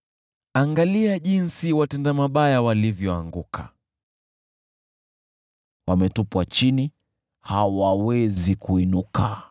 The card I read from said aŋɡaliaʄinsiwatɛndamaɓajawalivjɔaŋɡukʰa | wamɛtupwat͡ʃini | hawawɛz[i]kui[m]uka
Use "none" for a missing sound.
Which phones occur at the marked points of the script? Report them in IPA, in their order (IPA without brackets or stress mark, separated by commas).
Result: i, n